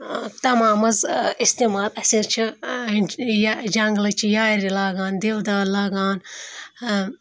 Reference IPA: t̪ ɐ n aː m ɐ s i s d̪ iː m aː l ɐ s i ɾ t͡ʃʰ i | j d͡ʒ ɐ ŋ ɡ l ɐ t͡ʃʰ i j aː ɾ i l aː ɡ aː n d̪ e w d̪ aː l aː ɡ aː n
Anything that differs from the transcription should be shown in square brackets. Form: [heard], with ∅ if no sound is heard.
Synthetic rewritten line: t̪ ɐ [m] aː m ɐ [z] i s [t̪] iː m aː l ɐ s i ɾ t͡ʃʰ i | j d͡ʒ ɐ ŋ ɡ l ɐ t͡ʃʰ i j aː ɾ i l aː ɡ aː n d̪ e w d̪ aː l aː ɡ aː n